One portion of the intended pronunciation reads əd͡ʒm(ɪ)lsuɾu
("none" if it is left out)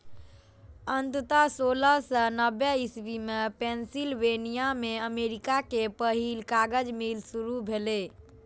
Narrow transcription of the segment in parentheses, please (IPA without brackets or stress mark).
i